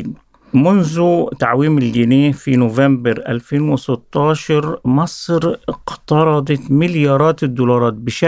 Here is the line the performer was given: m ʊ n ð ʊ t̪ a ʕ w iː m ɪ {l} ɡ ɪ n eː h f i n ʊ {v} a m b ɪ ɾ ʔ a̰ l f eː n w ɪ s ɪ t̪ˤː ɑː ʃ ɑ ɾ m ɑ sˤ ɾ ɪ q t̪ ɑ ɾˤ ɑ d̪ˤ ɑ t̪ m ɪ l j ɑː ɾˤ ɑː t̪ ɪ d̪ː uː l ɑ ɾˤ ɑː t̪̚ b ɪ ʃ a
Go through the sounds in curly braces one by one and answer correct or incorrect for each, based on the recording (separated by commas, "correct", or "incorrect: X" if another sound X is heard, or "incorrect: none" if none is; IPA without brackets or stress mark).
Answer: correct, correct